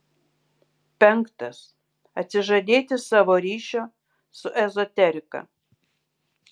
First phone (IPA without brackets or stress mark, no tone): pʲ